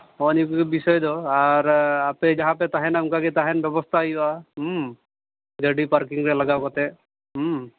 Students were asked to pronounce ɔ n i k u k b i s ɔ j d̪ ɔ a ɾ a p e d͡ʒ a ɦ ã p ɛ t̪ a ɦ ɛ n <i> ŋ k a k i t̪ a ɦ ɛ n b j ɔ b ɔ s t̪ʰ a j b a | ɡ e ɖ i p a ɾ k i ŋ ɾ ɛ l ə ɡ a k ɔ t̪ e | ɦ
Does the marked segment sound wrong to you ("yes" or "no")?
yes